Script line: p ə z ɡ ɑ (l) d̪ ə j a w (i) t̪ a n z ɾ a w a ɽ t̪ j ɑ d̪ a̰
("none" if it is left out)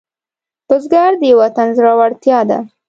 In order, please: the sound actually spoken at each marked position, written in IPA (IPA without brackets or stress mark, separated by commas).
ɾ, a